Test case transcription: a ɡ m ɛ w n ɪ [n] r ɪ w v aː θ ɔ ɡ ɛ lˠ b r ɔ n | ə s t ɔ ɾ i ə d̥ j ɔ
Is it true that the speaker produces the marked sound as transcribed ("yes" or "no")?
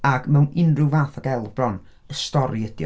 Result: yes